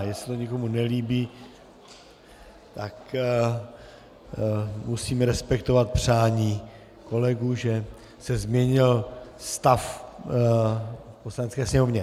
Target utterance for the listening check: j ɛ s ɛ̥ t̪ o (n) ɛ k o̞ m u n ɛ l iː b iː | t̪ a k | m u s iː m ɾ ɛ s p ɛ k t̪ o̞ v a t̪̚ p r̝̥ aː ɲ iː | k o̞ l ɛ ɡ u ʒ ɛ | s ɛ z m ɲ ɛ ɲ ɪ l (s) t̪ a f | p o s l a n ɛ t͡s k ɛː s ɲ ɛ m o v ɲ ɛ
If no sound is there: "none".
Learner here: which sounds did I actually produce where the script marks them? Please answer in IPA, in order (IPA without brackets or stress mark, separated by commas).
ɲ, s